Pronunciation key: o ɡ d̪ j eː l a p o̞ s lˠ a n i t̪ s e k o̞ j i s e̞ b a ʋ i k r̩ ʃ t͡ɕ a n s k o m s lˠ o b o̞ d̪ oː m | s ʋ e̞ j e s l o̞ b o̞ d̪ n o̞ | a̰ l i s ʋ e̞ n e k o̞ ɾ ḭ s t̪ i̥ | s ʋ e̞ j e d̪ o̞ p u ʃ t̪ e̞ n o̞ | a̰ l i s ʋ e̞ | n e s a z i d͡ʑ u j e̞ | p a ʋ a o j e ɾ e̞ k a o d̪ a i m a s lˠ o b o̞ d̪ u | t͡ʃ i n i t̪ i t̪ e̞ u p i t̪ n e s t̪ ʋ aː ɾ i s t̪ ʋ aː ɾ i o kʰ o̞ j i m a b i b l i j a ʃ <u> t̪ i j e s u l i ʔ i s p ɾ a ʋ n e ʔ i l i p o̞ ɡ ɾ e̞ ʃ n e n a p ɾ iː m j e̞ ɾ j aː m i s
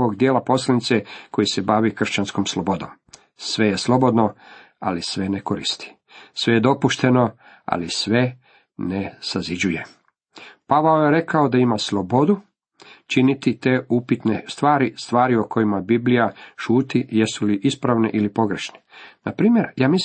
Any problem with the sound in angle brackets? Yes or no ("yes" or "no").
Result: yes